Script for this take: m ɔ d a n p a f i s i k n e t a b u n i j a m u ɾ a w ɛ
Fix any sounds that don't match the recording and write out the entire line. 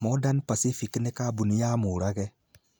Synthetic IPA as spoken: m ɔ d a n p a s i f i k n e k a b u n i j a m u ɾ a ɣ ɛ